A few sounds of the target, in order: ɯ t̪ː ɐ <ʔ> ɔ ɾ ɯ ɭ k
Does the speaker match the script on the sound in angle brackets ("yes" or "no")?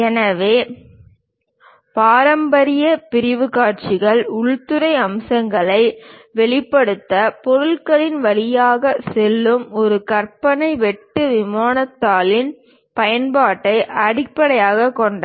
no